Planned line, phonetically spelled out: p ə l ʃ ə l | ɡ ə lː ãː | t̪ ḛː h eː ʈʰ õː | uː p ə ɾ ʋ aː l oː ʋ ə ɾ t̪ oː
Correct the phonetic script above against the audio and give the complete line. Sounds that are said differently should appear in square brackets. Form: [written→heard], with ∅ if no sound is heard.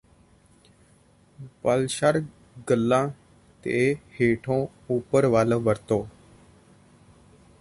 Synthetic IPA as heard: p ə l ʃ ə [l→ɾ] | ɡ ə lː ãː | t̪ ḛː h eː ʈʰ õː | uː p ə ɾ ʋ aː l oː ʋ ə ɾ t̪ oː